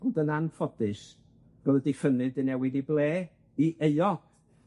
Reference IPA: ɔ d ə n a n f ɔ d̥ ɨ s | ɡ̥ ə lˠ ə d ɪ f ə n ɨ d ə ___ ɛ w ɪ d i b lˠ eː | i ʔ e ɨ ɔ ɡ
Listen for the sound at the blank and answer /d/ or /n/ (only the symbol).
n